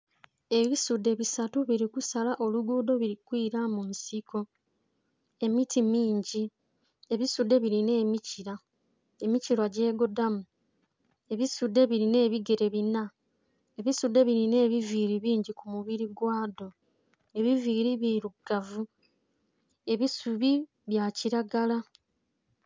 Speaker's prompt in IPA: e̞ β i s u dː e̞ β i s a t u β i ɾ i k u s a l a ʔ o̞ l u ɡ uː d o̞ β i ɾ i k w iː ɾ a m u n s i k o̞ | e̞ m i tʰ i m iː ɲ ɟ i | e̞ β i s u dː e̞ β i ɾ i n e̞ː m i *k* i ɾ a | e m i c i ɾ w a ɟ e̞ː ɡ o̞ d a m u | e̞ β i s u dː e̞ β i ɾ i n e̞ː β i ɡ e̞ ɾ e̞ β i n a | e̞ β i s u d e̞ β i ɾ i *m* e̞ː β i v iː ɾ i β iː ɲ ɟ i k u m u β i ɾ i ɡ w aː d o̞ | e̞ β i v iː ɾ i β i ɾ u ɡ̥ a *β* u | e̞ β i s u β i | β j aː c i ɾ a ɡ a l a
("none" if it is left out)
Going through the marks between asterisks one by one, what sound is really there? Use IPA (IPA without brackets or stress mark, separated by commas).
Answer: c, n, v